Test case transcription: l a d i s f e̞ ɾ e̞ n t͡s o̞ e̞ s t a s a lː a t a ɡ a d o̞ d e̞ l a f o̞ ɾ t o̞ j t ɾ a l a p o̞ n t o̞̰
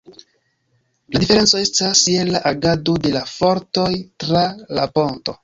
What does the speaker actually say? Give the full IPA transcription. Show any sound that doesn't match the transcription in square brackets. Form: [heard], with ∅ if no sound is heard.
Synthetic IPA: l a d i [∅] f e̞ ɾ e̞ n t͡s o̞ e̞ s t a s [e] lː a [ʔ] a ɡ a d o̞ d e̞ l a f o̞ ɾ t o̞ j t ɾ a l a p o̞ n t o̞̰